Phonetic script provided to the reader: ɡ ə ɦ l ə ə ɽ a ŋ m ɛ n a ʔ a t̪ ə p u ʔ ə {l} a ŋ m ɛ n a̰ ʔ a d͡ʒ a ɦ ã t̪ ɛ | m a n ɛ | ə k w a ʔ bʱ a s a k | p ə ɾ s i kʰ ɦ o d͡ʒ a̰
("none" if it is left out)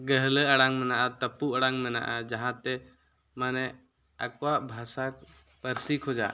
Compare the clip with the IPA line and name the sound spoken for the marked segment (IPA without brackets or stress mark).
ɽ